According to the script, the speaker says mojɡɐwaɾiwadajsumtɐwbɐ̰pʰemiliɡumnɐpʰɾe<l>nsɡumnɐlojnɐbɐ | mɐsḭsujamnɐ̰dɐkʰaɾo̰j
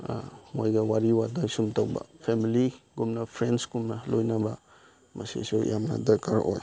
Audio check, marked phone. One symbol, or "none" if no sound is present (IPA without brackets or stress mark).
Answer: none